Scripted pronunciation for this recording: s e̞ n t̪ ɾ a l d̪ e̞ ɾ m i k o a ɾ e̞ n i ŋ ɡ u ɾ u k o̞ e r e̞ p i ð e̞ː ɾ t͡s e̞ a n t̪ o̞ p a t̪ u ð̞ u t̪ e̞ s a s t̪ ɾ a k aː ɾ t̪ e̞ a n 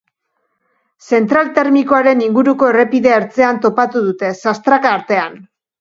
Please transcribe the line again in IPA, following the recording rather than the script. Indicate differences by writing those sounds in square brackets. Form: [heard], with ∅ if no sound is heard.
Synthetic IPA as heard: s e̞ n t̪ ɾ a l [t̪] e̞ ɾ m i k o a ɾ e̞ n i ŋ ɡ u ɾ u k o̞ e r e̞ p i ð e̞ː ɾ t͡s e̞ a n t̪ o̞ p a t̪ u ð̞ u t̪ e̞ s a s t̪ ɾ a k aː ɾ t̪ e̞ a n